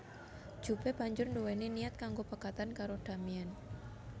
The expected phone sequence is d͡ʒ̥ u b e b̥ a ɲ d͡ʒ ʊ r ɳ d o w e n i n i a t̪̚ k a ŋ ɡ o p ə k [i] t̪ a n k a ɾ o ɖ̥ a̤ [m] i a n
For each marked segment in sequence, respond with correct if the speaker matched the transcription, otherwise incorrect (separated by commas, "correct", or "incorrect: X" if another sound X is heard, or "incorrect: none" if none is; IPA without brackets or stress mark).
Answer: incorrect: a, correct